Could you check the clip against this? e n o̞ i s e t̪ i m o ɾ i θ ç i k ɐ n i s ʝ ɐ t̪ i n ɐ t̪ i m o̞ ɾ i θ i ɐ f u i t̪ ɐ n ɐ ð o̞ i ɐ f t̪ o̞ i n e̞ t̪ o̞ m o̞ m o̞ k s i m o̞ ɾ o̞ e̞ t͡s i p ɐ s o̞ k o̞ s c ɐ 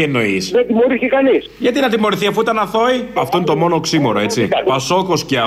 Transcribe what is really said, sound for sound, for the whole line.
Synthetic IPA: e n o̞ i s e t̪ i m o ɾ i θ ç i k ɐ n i s ʝ ɐ t̪ i n ɐ t̪ i m o̞ ɾ i θ i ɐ f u i t̪ ɐ n ɐ θ o̞ i ɐ f t̪ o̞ i n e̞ t̪ o̞ m o̞ n o̞ k s i m o̞ ɾ o̞ e̞ t͡s i p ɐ s o̞ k o̞ s c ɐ